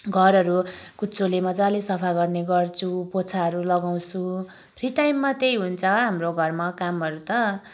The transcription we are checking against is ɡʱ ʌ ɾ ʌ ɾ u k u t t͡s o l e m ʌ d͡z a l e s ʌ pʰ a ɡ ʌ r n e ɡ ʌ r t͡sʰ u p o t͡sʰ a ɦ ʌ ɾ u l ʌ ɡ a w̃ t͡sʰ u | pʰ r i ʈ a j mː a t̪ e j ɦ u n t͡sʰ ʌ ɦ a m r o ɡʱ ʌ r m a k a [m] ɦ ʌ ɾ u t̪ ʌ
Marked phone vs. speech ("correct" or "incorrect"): correct